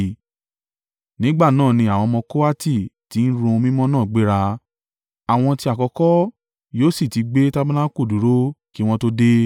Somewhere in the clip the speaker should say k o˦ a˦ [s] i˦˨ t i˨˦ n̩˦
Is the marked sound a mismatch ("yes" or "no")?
yes